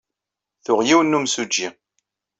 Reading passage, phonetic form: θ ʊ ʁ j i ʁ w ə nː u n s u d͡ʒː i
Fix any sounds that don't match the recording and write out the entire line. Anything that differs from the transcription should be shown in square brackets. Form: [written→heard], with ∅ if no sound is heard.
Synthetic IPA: θ ʊ ʁ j i [ʁ→∅] w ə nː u [n→m] s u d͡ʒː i